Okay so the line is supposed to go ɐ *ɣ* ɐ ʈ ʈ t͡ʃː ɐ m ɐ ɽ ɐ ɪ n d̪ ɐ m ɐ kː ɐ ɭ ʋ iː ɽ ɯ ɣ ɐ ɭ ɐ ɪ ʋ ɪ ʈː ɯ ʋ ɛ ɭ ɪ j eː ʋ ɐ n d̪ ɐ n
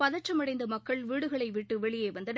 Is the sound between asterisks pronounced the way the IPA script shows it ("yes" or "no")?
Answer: no